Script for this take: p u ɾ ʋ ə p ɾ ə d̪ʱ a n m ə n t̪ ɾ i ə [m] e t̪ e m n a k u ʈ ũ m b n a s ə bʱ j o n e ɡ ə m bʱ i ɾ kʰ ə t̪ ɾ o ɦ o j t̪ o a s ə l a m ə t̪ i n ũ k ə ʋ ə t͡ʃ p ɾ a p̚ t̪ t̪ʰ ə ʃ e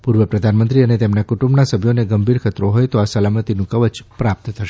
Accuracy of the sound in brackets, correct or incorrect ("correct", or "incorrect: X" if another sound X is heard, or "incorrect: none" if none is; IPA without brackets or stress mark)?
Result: incorrect: n